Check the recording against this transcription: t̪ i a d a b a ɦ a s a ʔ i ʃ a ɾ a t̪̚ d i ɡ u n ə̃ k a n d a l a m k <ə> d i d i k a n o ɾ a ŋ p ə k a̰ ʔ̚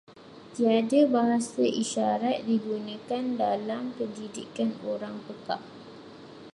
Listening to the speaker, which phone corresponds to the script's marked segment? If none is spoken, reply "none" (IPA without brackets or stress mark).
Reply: ə